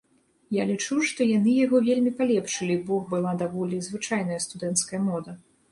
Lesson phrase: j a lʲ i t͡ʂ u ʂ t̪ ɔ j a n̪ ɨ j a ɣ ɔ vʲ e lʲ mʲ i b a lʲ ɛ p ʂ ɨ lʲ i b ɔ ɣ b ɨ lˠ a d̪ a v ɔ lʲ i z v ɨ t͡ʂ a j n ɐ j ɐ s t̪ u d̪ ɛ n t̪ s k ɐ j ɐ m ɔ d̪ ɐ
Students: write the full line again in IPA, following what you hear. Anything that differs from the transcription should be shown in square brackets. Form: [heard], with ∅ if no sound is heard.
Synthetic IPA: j a lʲ i t͡ʂ u ʂ t̪ ɔ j a n̪ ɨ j a ɣ ɔ vʲ e lʲ mʲ i [p] a lʲ ɛ p ʂ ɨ lʲ i b ɔ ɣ b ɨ lˠ a d̪ a v ɔ lʲ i z v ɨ t͡ʂ a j n ɐ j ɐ s t̪ u d̪ ɛ n t̪ s k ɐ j ɐ m ɔ d̪ ɐ